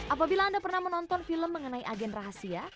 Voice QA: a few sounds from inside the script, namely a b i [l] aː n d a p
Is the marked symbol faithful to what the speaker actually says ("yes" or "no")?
yes